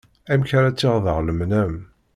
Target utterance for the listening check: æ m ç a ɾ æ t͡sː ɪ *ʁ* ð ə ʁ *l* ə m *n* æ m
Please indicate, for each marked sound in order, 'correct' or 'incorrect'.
correct, correct, correct

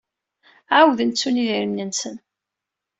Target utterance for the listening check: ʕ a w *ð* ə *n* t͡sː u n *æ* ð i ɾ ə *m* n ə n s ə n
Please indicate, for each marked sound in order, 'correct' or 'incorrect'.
correct, correct, incorrect, correct

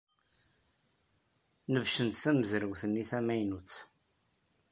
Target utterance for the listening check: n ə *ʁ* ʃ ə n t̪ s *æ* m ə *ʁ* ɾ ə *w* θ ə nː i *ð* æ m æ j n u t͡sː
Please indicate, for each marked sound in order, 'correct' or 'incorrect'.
incorrect, correct, incorrect, correct, incorrect

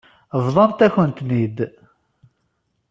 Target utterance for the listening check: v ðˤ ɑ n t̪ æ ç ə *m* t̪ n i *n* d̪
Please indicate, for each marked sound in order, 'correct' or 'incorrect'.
incorrect, incorrect

